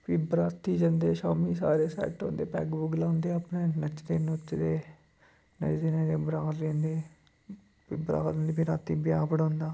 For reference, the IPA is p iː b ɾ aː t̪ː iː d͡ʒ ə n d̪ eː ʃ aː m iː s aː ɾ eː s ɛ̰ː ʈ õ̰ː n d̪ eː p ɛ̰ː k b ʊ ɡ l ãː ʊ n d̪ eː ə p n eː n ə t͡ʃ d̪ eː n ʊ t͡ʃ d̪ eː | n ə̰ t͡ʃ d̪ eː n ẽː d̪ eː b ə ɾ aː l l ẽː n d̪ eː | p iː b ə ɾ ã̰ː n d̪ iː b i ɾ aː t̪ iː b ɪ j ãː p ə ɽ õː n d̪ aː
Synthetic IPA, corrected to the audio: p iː b ɾ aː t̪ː iː d͡ʒ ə n d̪ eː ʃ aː m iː s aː ɾ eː s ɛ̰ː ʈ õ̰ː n d̪ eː p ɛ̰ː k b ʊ ɡ l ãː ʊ n d̪ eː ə p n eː n ə t͡ʃ d̪ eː n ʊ t͡ʃ d̪ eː | n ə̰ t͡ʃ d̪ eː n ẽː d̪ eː b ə ɾ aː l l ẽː n d̪ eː | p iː b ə ɾ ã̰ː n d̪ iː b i ɾ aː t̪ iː b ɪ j aː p ə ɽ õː n d̪ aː